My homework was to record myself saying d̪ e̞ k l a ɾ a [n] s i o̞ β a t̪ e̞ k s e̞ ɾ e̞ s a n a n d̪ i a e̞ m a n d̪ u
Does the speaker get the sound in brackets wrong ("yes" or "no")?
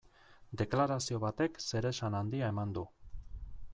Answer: yes